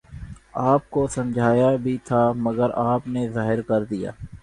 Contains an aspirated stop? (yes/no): yes